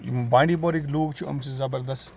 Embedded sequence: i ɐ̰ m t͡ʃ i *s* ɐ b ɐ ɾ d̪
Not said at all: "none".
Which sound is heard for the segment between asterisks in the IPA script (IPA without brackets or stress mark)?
z